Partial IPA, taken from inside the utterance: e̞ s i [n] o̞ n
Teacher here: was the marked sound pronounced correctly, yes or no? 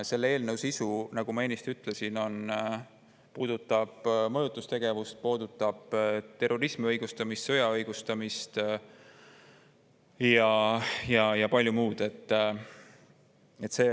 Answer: yes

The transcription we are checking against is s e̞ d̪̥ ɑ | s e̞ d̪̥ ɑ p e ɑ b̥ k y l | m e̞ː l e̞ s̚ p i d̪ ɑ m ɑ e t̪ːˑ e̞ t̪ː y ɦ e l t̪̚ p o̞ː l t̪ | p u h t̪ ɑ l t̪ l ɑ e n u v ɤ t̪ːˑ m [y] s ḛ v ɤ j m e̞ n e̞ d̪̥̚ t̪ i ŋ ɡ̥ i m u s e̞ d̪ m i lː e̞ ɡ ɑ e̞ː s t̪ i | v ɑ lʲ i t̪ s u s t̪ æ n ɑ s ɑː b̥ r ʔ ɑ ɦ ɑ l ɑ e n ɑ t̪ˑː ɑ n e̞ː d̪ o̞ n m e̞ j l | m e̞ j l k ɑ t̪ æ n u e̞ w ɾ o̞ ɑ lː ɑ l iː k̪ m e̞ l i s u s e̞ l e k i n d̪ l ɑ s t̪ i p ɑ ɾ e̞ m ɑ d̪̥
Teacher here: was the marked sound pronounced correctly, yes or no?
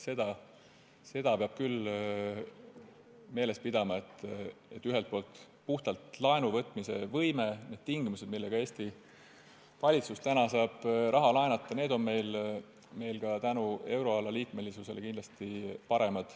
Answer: no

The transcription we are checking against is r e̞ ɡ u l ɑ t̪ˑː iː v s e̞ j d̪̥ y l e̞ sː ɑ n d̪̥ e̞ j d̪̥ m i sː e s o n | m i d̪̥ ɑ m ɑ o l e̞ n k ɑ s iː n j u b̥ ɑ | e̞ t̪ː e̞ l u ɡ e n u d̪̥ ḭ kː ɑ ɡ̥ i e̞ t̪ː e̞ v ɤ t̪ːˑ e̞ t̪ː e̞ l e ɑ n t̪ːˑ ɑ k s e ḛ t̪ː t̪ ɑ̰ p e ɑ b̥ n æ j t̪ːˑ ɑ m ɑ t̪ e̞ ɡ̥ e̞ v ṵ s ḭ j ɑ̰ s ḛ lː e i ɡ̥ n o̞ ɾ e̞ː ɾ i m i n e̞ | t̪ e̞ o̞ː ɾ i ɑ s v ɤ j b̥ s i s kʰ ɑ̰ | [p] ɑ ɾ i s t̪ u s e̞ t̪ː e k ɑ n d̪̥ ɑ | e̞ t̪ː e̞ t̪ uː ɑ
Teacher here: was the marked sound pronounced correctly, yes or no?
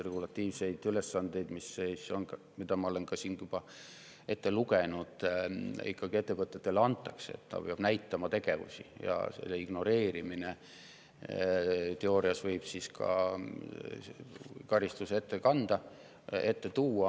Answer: no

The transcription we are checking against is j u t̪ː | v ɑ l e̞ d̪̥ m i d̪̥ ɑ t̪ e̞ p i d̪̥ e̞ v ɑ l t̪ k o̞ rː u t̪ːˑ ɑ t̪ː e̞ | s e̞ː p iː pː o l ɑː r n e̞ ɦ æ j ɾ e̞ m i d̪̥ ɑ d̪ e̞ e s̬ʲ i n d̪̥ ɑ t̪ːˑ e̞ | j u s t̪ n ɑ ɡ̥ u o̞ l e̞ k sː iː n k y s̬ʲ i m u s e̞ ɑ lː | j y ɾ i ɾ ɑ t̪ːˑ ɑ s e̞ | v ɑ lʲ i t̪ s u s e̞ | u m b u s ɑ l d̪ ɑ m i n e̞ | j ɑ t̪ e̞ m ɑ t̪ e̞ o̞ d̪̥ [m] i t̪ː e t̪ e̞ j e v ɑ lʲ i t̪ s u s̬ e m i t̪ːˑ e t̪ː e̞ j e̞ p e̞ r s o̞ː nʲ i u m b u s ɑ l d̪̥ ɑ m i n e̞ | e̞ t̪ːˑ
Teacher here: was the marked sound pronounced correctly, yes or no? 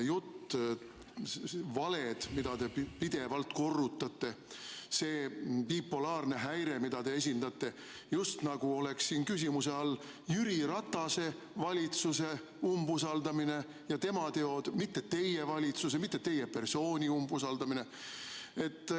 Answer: yes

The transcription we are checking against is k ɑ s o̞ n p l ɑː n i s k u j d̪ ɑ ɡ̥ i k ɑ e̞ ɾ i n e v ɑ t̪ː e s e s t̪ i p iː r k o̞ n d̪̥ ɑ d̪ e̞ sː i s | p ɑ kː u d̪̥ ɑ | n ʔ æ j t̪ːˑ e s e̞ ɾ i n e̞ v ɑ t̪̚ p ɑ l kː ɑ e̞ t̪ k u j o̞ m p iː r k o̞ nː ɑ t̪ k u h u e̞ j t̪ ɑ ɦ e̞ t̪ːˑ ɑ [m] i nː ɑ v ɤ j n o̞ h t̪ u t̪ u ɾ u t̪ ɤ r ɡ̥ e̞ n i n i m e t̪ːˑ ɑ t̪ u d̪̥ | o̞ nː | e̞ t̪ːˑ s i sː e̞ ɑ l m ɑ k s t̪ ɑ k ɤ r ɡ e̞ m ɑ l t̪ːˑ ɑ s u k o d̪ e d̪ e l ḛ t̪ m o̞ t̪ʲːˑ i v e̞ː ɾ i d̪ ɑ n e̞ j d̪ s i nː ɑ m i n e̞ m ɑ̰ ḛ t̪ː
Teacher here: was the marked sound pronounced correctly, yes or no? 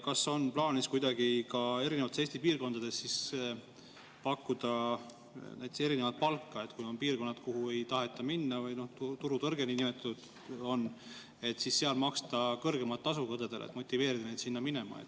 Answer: yes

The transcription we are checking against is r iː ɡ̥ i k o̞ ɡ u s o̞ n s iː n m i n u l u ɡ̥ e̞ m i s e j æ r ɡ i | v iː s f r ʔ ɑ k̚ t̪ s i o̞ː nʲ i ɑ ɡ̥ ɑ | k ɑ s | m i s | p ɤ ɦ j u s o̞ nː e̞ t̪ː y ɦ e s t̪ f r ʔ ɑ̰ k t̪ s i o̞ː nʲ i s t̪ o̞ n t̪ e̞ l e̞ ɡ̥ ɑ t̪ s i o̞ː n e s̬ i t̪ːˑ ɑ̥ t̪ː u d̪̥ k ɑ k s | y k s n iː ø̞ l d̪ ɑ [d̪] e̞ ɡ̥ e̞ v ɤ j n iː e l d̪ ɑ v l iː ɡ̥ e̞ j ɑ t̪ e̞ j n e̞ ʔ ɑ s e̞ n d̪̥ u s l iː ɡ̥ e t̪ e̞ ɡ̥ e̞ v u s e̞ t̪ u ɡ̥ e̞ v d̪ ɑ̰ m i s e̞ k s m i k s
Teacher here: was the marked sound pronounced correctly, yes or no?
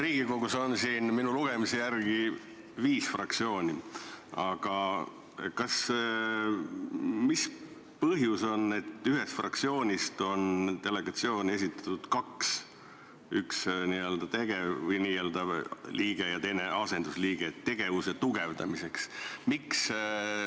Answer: no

